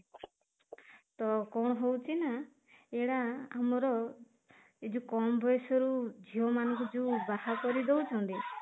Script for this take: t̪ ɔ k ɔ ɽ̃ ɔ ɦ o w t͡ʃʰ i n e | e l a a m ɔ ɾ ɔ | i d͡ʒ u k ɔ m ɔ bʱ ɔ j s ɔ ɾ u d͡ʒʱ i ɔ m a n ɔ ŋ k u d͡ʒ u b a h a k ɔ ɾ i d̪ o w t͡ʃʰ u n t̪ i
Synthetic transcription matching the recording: t̪ ɔ k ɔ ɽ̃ ɔ ɦ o w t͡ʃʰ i n a | e ɽ a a m ɔ ɾ ɔ | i d͡ʒ u k ɔ m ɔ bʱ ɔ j s ɔ ɾ u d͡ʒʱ i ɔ m a n ɔ ŋ k u d͡ʒ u b a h a k ɔ ɾ i d̪ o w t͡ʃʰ ɔ n t̪ i